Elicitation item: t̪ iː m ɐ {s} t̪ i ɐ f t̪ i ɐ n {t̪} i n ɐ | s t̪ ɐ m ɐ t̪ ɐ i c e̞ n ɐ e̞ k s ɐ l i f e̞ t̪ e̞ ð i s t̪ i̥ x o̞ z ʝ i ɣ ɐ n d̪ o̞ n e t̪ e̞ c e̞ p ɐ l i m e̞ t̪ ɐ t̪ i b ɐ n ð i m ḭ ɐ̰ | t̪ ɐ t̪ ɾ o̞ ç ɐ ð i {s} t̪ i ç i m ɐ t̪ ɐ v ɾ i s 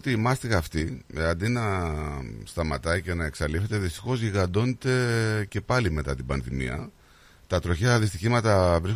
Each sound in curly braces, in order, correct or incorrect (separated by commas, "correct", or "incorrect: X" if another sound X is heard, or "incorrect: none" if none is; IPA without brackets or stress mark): correct, incorrect: d̪, correct